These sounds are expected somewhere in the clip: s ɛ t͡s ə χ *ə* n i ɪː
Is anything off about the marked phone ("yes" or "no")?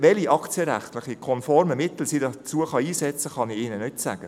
yes